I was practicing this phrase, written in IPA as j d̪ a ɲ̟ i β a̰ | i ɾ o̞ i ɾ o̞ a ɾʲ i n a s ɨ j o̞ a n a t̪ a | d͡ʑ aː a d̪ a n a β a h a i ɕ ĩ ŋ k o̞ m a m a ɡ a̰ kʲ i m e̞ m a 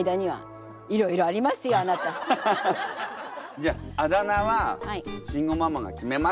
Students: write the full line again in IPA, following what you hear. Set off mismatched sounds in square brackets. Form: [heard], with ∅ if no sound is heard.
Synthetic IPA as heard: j d̪ a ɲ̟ i β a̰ | i ɾ o̞ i ɾ o̞ a ɾʲ i [m] a s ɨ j o̞ a n a t̪ a | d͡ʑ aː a d̪ a n a β a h a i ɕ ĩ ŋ [ɡ] o̞ m a m a ɡ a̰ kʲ i m e̞ m a

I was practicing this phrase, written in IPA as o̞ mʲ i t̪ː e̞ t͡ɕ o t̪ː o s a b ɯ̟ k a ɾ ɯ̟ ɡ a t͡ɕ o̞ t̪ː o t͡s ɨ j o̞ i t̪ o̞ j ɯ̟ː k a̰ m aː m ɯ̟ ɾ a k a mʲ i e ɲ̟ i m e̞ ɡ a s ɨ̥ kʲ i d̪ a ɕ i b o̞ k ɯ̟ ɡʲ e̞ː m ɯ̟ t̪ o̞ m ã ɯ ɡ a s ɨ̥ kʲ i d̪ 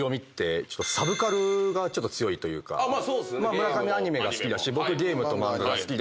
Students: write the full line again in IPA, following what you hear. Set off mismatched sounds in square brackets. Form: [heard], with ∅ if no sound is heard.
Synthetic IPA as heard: o̞ mʲ i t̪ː e̞ t͡ɕ o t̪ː o s a b ɯ̟ k a ɾ ɯ̟ ɡ a t͡ɕ o̞ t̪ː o t͡s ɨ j o̞ i t̪ o̞ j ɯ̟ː k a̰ m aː m ɯ̟ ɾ a k a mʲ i [a] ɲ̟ i m e̞ ɡ a s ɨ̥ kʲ i d̪ a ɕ i b o̞ k ɯ̟ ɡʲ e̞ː m ɯ̟ t̪ o̞ m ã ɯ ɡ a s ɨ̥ kʲ i d̪

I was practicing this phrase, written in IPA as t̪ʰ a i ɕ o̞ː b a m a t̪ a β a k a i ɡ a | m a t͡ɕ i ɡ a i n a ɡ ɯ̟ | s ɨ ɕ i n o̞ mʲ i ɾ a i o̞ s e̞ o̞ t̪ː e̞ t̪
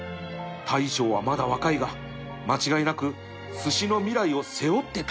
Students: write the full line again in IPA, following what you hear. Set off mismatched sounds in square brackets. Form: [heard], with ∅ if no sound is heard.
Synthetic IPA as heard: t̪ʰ a i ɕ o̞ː [β] a m a [d̪] a β a k a i ɡ a | m a t͡ɕ i ɡ a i n a [k] ɯ̟ | s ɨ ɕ i n o̞ mʲ i ɾ a i o̞ s e̞ o̞ t̪ː e̞ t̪

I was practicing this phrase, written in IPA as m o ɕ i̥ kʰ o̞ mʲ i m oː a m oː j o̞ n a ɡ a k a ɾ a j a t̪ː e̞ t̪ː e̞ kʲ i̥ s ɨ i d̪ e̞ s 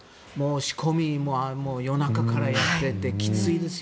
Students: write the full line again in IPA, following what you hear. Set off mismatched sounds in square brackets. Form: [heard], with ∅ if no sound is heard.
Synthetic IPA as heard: m o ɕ i̥ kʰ o̞ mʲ i m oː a m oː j o̞ n a [k] a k a ɾ a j a t̪ː e̞ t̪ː e̞ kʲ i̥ [t͡s] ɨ i d̪ e̞ s

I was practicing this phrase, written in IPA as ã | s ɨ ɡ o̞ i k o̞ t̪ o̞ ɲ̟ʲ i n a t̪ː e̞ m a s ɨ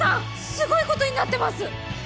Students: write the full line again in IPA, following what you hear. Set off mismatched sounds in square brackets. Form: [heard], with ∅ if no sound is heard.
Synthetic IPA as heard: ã | s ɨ ɡ o̞ i k o̞ t̪ o̞ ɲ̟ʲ i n a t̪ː e̞ m a s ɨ

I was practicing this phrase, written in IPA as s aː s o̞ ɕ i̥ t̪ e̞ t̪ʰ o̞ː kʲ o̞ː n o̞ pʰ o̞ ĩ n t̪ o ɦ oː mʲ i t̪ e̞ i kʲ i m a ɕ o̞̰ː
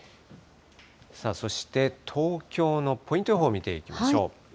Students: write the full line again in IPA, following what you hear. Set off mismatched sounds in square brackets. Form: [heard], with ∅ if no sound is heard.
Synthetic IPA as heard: s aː s o̞ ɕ i̥ t̪ e̞ t̪ʰ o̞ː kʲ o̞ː n o̞ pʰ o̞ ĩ n t̪ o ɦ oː mʲ i t̪ e̞ i kʲ i m a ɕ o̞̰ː

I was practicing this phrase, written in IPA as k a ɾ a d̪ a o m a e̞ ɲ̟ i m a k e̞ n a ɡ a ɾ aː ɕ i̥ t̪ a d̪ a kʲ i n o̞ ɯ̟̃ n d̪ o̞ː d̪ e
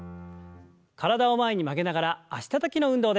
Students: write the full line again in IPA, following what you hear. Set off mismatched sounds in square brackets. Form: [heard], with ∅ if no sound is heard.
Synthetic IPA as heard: k a ɾ a d̪ a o m a e̞ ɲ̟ i m a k e̞ n a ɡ a ɾ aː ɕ i̥ t̪ a [t̪] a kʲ i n o̞ ɯ̟̃ n d̪ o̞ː d̪ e

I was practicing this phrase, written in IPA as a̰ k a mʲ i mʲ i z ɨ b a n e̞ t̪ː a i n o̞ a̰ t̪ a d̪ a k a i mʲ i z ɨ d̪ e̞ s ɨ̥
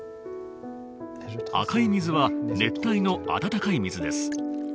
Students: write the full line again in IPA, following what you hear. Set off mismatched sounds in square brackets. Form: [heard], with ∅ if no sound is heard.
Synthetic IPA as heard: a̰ k a [∅] i mʲ i z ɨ [β] a n e̞ t̪ː a i n o̞ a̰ t̪ a [t̪] a k a i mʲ i z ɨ d̪ e̞ s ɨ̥

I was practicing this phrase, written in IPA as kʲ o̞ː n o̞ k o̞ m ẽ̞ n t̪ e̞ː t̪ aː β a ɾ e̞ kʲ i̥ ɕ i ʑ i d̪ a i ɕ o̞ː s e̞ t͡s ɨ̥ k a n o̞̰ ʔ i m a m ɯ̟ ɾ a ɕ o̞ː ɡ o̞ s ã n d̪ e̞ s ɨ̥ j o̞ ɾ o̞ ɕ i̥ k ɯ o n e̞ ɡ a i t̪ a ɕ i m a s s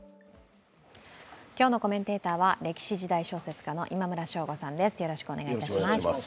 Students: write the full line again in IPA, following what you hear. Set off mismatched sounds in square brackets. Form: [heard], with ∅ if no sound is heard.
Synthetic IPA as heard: kʲ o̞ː n o̞ k o̞ m ẽ̞ n t̪ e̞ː t̪ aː β a ɾ e̞ kʲ i̥ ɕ i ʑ i d̪ a i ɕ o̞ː s e̞ t͡s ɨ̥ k a n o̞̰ ʔ i m a m ɯ̟ ɾ a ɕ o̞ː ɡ o̞ s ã n d̪ e̞ s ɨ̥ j o̞ ɾ o̞ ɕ i̥ k ɯ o n e̞ ɡ a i t̪ a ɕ i m a s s

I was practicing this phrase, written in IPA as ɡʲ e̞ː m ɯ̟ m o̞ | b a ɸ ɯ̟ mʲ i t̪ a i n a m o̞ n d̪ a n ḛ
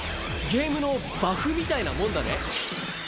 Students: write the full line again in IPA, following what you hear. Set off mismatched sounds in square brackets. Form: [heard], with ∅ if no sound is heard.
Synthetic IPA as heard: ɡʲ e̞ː m ɯ̟ [n] o̞ | b a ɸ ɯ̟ mʲ i t̪ a i n a m [õ̞] n d̪ a n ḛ

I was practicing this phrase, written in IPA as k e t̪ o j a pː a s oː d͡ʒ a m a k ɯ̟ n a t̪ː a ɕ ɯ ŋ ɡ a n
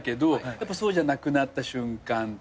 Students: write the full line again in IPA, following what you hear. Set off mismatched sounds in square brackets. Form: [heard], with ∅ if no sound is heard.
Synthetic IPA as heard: k e [d̪] o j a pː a s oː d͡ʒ a [n] a k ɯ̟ n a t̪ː a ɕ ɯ ŋ [k] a n

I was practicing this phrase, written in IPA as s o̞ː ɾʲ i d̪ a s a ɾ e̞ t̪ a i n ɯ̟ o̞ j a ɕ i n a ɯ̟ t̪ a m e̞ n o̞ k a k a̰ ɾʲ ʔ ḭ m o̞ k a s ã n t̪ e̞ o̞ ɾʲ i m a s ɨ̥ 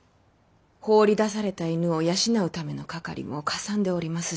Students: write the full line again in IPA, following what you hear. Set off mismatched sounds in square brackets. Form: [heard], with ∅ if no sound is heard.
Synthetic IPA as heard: [h] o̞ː ɾʲ i d̪ a s a ɾ e̞ t̪ a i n ɯ̟ o̞ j a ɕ i n a ɯ̟ t̪ a m e̞ n o̞ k a k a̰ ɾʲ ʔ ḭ m o̞ k a s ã n [d̪] e̞ o̞ ɾʲ i m a s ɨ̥

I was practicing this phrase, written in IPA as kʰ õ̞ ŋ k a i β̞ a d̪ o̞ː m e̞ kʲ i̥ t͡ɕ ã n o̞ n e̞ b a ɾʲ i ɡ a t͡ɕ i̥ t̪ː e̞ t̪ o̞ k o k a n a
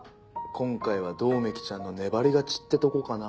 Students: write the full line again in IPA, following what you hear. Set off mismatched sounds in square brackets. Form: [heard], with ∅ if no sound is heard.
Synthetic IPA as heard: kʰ õ̞ ŋ k a i β̞ a d̪ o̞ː m e̞ kʲ i̥ t͡ɕ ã [nː] o̞ n e̞ b a ɾʲ i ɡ a t͡ɕ i̥ t̪ː e̞ t̪ o̞ k o k a n a

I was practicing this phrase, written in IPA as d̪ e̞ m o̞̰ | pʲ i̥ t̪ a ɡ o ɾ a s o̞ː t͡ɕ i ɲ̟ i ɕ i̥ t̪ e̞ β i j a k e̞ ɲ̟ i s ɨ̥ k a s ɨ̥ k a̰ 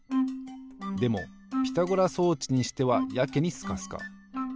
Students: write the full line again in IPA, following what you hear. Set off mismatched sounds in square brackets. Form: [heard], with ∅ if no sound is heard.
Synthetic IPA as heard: d̪ e̞ m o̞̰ | pʲ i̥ t̪ a ɡ o ɾ a s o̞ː t͡ɕ i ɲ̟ i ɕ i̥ t̪ e̞ β [a] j a k e̞ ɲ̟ i s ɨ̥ k a s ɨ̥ k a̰

